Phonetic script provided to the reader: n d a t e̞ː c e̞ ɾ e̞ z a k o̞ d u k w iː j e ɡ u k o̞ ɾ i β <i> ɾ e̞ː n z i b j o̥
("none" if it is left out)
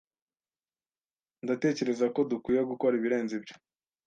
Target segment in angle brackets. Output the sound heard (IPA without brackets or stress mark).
i